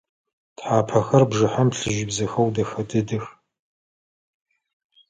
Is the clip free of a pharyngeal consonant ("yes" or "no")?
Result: no